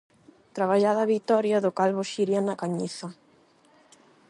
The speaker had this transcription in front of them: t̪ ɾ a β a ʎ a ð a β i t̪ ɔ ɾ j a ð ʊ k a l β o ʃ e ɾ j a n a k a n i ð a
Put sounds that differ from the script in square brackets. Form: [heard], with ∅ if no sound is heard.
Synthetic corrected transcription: t̪ ɾ a β a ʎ a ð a β i t̪ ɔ ɾ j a ð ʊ k a l β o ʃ [i] ɾ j a n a k a [ɲ] i [θ] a